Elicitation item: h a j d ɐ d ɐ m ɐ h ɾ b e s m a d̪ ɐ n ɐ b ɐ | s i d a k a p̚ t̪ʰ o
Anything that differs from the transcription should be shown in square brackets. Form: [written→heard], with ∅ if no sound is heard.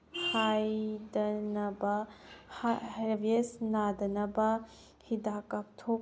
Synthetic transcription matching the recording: h a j d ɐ [d→n] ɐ [m→b] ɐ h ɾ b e s [m→n] a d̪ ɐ n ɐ b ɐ | [s→h] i d a k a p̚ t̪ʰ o